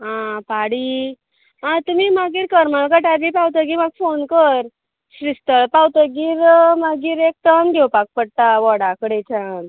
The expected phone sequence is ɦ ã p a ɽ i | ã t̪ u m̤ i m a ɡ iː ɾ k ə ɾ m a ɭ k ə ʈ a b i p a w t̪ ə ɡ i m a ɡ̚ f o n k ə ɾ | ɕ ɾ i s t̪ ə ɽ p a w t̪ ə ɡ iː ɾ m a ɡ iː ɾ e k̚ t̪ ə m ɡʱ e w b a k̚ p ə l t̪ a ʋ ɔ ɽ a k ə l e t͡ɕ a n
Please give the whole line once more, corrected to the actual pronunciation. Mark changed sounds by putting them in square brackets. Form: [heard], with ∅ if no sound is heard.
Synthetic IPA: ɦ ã p a ɽ i | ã t̪ u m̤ i m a ɡ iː ɾ k ə ɾ m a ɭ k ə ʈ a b i p a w t̪ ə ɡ i m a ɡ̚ f o n k ə ɾ | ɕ ɾ i s t̪ ə [ɭ] p a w t̪ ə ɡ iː ɾ m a ɡ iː ɾ e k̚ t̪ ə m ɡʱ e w [p] a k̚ p ə [ɽ] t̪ a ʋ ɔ ɽ a k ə [ɽ] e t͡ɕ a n